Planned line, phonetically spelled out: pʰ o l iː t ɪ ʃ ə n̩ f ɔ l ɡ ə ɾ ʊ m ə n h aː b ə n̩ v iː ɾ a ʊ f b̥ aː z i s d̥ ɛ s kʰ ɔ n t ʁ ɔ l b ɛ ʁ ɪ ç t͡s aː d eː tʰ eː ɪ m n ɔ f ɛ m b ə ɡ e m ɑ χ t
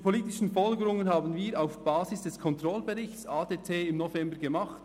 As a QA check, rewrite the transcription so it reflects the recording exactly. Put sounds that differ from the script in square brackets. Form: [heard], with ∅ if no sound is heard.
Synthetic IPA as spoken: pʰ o l iː t ɪ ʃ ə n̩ f ɔ l ɡ ə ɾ ʊ [ŋ] ə n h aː b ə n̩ v iː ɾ a ʊ f b̥ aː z [ɪ] s d̥ ɛ s kʰ ɔ n t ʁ ɔ l b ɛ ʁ ɪ ç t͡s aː d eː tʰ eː ɪ m n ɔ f ɛ m b ə ɡ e m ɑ χ t